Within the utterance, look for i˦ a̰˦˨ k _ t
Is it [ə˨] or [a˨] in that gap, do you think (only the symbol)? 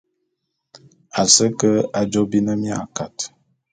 a˨